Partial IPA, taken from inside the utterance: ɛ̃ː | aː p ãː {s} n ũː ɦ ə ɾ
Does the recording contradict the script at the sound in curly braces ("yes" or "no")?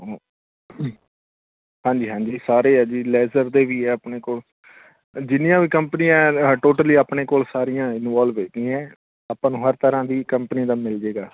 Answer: yes